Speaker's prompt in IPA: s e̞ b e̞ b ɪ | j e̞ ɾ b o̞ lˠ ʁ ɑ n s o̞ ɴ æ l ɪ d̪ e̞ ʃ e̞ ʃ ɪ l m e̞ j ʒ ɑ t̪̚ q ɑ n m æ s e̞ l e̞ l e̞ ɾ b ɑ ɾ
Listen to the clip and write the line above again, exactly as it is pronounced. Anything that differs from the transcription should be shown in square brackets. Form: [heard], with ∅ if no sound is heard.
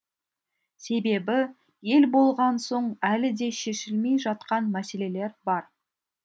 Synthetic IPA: s e̞ b e̞ b ɪ | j e̞ [l] b o̞ lˠ ʁ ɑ n s o̞ ɴ æ l ɪ d̪ e̞ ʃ e̞ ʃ ɪ l m e̞ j ʒ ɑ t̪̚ q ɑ n m æ s e̞ l e̞ l e̞ ɾ b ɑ ɾ